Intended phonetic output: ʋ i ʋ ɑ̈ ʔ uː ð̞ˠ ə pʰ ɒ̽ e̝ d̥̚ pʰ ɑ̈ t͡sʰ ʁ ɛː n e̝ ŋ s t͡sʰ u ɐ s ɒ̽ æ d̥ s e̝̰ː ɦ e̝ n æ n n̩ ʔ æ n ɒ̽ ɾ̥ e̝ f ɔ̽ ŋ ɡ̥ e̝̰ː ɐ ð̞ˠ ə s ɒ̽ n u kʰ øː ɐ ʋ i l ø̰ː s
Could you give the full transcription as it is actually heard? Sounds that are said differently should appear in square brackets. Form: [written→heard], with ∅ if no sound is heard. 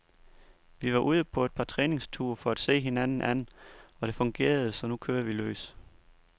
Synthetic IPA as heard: ʋ i ʋ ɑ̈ ʔ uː ð̞ˠ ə pʰ ɒ̽ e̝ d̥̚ pʰ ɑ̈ t͡sʰ ʁ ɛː n e̝ ŋ s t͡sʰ u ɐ [s→f] ɒ̽ æ d̥ s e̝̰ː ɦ e̝ n æ n n̩ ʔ æ n ɒ̽ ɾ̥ e̝ f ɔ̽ ŋ ɡ̥ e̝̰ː ɐ ð̞ˠ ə s ɒ̽ n u kʰ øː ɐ ʋ i l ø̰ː s